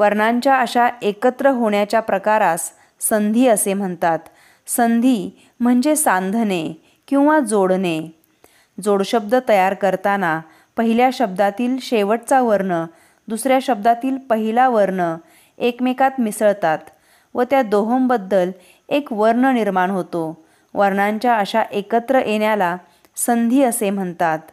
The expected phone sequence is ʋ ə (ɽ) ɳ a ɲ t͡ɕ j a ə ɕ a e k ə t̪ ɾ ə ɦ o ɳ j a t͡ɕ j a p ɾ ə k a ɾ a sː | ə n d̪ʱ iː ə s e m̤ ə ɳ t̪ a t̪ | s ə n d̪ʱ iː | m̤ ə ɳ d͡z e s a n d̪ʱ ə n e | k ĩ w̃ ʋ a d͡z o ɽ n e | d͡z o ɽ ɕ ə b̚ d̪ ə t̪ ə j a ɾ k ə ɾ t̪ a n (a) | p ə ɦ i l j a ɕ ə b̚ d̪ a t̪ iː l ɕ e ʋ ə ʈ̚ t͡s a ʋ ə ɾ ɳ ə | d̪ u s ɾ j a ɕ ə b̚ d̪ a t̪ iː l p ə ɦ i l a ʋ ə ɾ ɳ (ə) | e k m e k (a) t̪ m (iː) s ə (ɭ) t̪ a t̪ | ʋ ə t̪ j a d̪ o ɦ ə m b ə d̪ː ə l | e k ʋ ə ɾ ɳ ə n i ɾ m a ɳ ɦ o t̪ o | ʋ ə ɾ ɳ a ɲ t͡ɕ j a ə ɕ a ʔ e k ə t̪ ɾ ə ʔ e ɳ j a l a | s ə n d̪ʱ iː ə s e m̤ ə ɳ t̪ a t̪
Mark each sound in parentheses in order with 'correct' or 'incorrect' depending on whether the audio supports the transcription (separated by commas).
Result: incorrect, correct, correct, correct, incorrect, correct